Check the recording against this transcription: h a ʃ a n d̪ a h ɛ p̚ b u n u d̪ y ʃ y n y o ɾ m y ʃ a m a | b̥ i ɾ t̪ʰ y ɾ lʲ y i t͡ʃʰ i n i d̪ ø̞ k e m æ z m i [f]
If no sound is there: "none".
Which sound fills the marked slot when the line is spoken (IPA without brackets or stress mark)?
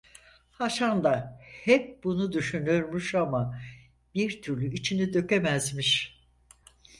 ʃ